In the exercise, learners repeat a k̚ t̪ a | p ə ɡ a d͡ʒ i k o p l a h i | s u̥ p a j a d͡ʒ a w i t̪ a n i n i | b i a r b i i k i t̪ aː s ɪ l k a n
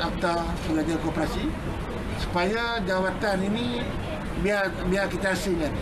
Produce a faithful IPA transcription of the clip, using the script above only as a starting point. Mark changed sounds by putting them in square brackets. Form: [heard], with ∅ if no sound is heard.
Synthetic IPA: a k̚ t̪ a | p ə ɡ a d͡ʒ [a] k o p [ɾ] a [s] i | s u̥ p a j a d͡ʒ a w [a] t̪ a n i n i | b i a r b i [a] k i t̪ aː s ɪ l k a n